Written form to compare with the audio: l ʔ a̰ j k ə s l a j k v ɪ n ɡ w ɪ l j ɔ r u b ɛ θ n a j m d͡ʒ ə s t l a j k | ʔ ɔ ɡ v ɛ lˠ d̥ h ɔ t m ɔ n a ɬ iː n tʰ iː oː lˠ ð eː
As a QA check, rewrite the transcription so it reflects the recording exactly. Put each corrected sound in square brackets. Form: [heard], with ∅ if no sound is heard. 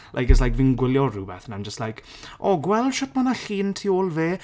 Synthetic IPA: l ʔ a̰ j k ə s l a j k v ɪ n ɡ w ɪ l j ɔ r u b ɛ θ n a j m d͡ʒ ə s t l a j k | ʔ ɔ ɡ [w] ɛ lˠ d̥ [ʃ] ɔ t m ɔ n a ɬ iː n tʰ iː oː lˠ [v] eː